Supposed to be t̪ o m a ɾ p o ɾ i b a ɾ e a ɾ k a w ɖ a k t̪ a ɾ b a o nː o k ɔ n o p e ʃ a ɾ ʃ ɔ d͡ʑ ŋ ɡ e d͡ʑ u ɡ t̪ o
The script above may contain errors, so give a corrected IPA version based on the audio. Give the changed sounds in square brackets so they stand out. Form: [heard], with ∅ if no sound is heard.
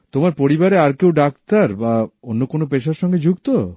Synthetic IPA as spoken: t̪ o m a ɾ p o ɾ i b a ɾ e a ɾ k [e] w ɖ a k t̪ a ɾ b a o nː o k [o] n o p e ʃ a ɾ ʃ ɔ [∅] ŋ ɡ e d͡ʑ u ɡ t̪ o